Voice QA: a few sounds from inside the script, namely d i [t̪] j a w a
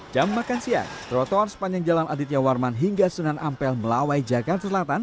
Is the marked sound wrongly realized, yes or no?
no